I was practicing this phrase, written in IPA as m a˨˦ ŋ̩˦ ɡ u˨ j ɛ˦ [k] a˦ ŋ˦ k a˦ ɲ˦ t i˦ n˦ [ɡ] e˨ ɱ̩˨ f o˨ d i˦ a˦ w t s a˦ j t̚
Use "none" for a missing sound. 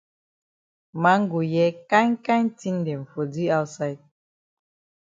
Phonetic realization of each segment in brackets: k, d

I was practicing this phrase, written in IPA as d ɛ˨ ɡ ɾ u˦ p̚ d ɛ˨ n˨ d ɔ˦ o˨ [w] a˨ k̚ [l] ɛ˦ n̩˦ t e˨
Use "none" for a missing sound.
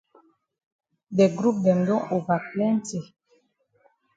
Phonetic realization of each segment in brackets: v, l

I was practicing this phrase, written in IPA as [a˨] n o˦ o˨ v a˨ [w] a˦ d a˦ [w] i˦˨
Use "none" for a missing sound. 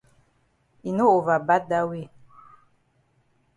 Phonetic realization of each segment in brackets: i˨, b, w

